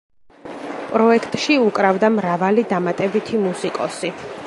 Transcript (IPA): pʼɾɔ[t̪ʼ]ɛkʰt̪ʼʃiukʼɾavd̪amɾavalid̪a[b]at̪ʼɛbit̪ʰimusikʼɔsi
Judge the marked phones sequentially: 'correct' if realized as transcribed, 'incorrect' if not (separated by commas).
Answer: incorrect, incorrect